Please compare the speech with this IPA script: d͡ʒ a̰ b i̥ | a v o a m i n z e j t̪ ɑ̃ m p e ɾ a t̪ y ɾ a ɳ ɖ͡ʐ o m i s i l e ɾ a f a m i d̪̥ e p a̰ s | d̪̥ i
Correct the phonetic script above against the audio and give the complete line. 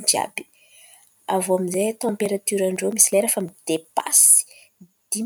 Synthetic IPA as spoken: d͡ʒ a̰ b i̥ | a v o a m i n z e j t̪ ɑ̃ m p e ɾ a t̪ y ɾ a ɳ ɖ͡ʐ o m i s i l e ɾ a f a m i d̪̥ e p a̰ s | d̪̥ i